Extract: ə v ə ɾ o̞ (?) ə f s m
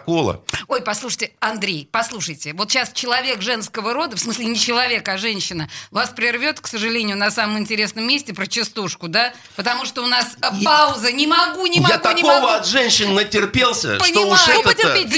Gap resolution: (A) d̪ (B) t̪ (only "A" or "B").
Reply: A